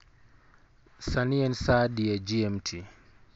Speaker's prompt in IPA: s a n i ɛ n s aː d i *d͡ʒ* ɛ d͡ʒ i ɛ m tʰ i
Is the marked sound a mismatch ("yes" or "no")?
yes